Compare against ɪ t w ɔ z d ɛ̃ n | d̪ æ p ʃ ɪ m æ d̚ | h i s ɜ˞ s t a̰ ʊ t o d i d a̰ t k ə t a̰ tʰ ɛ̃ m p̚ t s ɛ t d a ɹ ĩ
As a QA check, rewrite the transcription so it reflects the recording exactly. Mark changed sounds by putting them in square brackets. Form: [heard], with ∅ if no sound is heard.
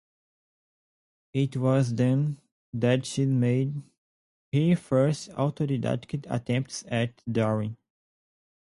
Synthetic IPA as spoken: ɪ t w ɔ z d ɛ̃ n | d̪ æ [t] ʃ [i] m [e] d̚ | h i [f] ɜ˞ s t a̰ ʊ t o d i d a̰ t k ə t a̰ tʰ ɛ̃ m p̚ t s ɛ t d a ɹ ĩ